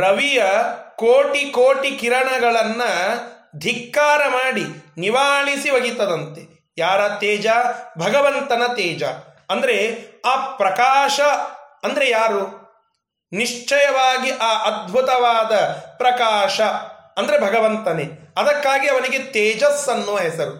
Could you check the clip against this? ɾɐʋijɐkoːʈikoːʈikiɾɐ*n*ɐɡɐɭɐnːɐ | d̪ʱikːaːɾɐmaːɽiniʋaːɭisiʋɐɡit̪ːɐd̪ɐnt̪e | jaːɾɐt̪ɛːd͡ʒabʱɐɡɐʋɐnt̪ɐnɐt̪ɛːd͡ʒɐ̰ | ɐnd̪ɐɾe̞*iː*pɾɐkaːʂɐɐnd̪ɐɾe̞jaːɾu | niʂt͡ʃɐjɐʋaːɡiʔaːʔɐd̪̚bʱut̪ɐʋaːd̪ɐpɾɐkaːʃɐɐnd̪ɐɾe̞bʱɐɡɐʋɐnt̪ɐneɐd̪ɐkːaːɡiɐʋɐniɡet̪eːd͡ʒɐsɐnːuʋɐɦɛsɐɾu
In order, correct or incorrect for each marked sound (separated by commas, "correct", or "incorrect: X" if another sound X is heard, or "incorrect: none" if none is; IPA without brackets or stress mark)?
incorrect: ɳ, incorrect: aː